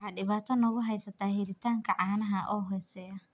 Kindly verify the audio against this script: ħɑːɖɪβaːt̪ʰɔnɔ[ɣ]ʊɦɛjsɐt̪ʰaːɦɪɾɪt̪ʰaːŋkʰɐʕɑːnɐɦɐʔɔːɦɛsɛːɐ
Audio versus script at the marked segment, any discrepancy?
no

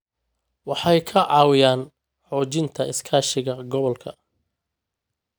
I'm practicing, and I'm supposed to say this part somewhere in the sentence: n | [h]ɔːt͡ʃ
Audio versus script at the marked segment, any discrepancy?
yes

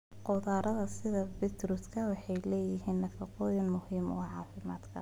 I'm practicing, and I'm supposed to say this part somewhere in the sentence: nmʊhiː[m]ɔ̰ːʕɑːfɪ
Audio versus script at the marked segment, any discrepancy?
no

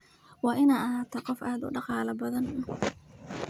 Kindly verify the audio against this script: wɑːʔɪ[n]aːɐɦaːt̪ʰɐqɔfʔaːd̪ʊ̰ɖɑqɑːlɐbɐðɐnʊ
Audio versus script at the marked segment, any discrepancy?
no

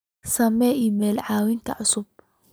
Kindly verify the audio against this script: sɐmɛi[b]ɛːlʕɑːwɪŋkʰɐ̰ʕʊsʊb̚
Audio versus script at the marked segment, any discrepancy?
yes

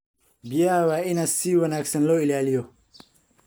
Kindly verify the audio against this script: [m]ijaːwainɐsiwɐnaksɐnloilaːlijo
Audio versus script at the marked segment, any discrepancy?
yes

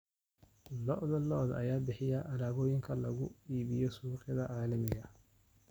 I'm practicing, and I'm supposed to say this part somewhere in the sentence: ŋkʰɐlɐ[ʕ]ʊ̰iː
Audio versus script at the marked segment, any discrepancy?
yes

